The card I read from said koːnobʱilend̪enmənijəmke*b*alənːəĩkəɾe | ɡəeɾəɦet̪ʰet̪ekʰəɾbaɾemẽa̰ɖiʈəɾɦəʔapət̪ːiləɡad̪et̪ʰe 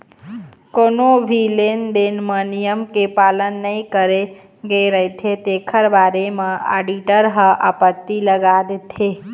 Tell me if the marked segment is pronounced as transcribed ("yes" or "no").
no